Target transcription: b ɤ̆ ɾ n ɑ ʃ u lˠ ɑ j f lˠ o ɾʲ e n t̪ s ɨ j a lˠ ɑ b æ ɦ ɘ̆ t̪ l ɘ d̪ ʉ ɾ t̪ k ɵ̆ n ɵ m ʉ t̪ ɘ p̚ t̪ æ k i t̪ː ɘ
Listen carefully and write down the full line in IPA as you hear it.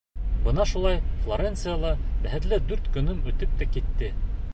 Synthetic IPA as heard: b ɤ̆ n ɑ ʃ u lˠ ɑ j f lˠ o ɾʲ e n t̪ s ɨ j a lˠ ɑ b æ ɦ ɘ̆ t̪ l ɘ d̪ ʉ ɾ t̪ k ɵ̆ n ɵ m ʉ t̪ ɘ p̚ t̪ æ k i t̪ː ɘ